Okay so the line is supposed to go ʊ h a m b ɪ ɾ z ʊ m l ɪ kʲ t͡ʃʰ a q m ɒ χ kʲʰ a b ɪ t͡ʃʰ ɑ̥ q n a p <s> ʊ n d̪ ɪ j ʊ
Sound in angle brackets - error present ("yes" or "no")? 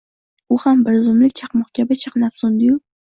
no